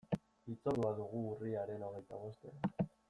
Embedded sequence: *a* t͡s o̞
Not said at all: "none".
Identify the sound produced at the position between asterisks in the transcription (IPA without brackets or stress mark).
i